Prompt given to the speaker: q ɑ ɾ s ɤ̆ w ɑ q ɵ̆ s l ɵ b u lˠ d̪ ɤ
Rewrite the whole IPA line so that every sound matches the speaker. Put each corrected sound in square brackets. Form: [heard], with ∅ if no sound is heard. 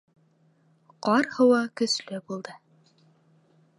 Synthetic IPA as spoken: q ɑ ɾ [h] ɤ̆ w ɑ [k] ɵ̆ s l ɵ b u lˠ d̪ ɤ

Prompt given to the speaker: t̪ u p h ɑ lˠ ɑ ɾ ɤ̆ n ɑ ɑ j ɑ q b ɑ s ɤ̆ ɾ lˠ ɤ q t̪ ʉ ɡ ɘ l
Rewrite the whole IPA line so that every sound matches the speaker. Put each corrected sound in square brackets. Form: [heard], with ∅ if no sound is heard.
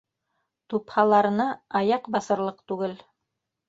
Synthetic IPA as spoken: t̪ u p h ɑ lˠ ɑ ɾ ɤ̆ n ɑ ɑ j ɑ q b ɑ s ɤ̆ ɾ lˠ ɤ q t̪ ʉ ɡ ɘ l

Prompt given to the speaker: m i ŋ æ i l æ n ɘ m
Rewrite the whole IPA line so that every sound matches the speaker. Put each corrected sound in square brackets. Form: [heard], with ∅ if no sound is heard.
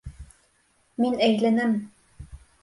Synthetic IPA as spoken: m i [n] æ [j] l æ n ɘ m

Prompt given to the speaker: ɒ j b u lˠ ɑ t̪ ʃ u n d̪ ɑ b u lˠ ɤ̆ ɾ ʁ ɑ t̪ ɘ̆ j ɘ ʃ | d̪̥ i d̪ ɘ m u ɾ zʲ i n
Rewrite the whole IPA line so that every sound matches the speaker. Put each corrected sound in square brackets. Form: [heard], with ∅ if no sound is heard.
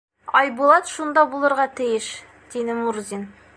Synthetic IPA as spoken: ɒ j b u lˠ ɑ t̪ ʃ u n d̪ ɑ b u lˠ ɤ̆ ɾ ʁ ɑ t̪ ɘ̆ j ɘ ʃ | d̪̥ i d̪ ɘ m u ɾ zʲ i n

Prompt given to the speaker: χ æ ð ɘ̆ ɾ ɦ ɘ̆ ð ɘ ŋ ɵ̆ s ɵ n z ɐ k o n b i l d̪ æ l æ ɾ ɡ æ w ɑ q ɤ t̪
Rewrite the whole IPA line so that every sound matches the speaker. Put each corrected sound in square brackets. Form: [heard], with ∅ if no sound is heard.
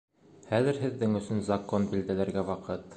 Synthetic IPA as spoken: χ æ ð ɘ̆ ɾ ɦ ɘ̆ [ðː] ɘ ŋ ɵ̆ s ɵ n z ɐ k o n b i l d̪ æ l æ ɾ ɡ æ w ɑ q ɤ t̪

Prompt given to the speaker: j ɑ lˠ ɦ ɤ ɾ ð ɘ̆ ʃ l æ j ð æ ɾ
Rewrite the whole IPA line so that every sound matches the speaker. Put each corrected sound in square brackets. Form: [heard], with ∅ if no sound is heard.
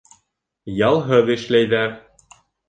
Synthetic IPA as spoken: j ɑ lˠ ɦ ɤ [∅] ð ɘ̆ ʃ l æ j ð æ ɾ

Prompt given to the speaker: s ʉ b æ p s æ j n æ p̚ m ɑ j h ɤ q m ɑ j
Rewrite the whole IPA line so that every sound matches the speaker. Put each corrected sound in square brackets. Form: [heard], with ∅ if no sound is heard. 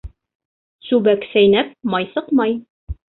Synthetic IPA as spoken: s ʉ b æ [k] s æ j n æ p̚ m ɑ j [s] ɤ q m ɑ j

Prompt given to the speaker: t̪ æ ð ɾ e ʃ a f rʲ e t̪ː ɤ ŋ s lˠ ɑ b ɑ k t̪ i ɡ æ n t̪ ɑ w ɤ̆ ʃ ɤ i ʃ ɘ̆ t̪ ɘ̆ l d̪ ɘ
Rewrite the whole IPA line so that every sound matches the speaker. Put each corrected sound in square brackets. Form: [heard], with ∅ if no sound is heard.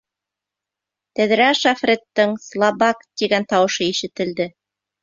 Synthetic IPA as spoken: t̪ æ ð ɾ [æ] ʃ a f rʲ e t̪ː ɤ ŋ s lˠ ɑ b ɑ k t̪ i ɡ æ n t̪ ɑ w ɤ̆ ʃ ɤ i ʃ ɘ̆ t̪ ɘ̆ l d̪ ɘ

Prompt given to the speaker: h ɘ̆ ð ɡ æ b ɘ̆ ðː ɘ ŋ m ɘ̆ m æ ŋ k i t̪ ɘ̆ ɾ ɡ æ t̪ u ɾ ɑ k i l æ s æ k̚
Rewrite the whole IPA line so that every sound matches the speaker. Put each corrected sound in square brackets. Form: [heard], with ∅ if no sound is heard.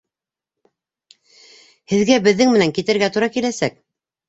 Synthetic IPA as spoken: h ɘ̆ ð ɡ æ b ɘ̆ ðː ɘ ŋ m ɘ̆ [n] æ ŋ k i t̪ ɘ̆ ɾ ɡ æ t̪ u ɾ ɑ k i l æ s æ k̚

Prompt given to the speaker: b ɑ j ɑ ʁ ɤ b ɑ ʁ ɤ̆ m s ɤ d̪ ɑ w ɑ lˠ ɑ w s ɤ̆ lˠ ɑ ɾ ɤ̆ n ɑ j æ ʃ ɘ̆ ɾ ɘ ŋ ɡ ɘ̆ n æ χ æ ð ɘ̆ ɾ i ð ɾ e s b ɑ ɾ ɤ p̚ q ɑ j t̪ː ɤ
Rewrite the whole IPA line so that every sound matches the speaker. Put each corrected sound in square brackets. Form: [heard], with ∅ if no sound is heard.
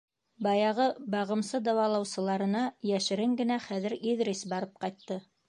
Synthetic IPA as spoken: b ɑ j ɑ ʁ ɤ b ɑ ʁ ɤ̆ m s ɤ d̪ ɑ w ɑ lˠ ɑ w s ɤ̆ lˠ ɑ ɾ ɤ̆ n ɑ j æ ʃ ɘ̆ ɾ ɘ ŋ ɡ ɘ̆ n æ χ æ ð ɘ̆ ɾ i ð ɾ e s b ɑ ɾ ɤ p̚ q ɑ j t̪ː ɤ

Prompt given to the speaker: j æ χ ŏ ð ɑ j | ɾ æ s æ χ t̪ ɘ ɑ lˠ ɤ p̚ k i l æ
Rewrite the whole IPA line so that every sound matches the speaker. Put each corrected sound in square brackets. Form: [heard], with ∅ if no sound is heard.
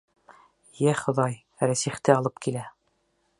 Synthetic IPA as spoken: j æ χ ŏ ð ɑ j | ɾ æ s [i] χ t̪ ɘ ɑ lˠ ɤ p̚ k i l æ

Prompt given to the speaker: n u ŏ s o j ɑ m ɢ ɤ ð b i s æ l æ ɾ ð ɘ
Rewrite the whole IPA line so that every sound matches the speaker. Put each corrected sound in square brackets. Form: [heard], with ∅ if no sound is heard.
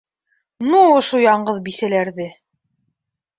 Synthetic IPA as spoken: n u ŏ [ʃ] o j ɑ [ɴ] ɢ ɤ ð b i s æ l æ ɾ ð ɘ

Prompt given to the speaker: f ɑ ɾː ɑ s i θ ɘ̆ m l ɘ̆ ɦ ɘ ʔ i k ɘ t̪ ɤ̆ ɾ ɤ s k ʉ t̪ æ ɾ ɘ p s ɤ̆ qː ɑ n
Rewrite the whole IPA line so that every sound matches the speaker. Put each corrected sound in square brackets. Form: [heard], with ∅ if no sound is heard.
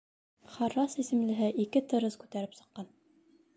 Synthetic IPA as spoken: [χ] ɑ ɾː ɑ s i [s] ɘ̆ m l ɘ̆ ɦ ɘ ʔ i k ɘ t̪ ɤ̆ ɾ ɤ s k ʉ t̪ æ ɾ ɘ p s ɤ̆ qː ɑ n

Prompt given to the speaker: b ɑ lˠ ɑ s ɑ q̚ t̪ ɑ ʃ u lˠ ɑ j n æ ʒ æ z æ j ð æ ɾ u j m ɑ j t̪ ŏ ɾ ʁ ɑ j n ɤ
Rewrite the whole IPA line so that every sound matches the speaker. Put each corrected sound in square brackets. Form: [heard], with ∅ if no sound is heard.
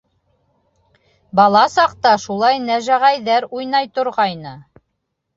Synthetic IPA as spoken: b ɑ lˠ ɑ s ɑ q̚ t̪ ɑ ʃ u lˠ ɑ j n æ ʒ æ [ʁ] æ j ð æ ɾ u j [n] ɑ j t̪ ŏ ɾ ʁ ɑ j n ɤ

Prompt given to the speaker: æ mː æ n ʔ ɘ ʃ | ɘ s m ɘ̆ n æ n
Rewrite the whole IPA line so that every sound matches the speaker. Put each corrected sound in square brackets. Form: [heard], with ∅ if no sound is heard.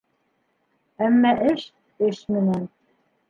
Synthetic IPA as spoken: æ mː æ [∅] ʔ ɘ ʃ | ɘ [ʃ] m ɘ̆ n æ n

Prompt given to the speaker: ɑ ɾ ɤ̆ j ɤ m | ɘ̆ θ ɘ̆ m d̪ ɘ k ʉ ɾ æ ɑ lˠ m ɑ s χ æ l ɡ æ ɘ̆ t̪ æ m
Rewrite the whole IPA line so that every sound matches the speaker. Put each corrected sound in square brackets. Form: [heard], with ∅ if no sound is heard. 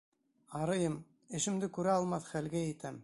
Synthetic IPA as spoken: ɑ ɾ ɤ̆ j ɤ m | ɘ̆ [ʃ] ɘ̆ m d̪ ɘ k ʉ ɾ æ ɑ lˠ m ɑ [θ] χ æ l ɡ æ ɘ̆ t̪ æ m

